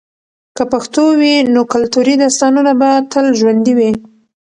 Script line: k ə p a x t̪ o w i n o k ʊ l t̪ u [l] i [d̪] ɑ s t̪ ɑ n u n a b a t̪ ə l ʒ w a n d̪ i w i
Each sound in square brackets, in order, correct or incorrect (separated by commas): incorrect, correct